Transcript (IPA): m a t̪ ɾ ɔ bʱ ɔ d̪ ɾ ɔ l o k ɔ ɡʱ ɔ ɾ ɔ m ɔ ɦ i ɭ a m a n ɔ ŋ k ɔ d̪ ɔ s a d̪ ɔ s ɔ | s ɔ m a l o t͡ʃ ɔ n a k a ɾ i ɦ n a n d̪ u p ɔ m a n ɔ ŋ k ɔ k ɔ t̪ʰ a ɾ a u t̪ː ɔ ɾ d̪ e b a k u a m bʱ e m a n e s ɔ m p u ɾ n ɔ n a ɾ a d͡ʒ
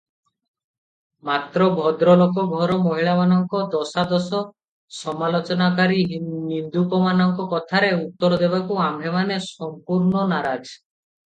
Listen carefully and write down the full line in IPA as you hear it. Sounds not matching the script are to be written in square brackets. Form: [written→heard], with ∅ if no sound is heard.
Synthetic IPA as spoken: m a t̪ ɾ ɔ bʱ ɔ d̪ ɾ ɔ l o k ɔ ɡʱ ɔ ɾ ɔ m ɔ ɦ i ɭ a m a n ɔ ŋ k ɔ d̪ ɔ s a d̪ ɔ s ɔ | s ɔ m a l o t͡ʃ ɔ n a k a ɾ i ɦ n [a→i] n d̪ u p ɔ m a n ɔ ŋ k ɔ k ɔ t̪ʰ a ɾ [a→e] u t̪ː ɔ ɾ d̪ e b a k u a m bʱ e m a n e s ɔ m p u ɾ n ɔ n a ɾ a d͡ʒ